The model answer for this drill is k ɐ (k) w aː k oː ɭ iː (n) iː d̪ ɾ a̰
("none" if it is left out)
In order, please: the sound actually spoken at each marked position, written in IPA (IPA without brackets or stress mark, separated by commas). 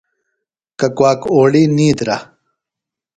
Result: k, n